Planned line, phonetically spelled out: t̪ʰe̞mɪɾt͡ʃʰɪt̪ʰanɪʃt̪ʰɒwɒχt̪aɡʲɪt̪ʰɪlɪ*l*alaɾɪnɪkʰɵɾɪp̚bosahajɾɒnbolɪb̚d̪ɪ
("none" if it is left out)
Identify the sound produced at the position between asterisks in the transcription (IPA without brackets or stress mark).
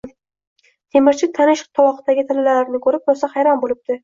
l